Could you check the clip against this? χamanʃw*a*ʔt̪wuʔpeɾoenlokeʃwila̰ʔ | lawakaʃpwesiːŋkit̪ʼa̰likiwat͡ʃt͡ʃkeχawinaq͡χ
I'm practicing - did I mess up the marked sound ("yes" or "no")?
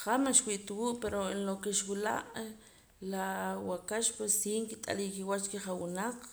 yes